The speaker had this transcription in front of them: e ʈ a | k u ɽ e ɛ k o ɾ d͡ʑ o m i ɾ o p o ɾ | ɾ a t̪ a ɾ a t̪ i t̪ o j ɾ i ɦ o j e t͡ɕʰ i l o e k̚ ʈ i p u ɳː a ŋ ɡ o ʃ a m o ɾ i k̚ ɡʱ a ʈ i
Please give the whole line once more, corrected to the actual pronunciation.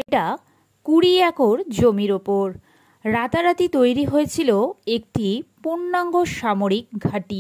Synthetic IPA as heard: e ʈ a | k u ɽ i ɛ k o ɾ d͡ʑ o m i ɾ o p o ɾ | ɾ a t̪ a ɾ a t̪ i t̪ o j ɾ i ɦ o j e t͡ɕʰ i l o e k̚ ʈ i p u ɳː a ŋ ɡ o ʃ a m o ɾ i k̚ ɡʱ a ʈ i